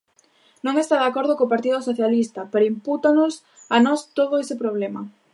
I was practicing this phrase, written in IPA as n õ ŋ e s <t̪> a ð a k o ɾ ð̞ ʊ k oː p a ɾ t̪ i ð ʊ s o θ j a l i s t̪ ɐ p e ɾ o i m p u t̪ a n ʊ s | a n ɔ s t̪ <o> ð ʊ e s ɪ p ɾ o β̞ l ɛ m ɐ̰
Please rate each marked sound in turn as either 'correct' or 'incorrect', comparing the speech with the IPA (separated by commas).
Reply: correct, correct